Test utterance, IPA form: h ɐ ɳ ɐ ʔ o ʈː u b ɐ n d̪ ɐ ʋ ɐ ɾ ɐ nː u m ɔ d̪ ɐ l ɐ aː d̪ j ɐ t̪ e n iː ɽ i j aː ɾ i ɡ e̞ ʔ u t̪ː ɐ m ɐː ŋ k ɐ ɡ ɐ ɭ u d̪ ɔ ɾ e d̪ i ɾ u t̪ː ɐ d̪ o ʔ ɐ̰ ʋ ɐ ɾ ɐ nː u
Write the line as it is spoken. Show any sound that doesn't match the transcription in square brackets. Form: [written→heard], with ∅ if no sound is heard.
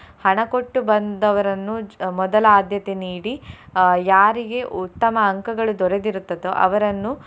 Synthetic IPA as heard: h ɐ ɳ ɐ [ʔ→k] o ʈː u b ɐ n d̪ ɐ ʋ ɐ ɾ ɐ nː u m ɔ d̪ ɐ l ɐ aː d̪ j ɐ t̪ e n iː ɽ i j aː ɾ i ɡ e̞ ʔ u t̪ː ɐ m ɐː ŋ k ɐ ɡ ɐ ɭ u d̪ ɔ ɾ e d̪ i ɾ u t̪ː ɐ d̪ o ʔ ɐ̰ ʋ ɐ ɾ ɐ nː u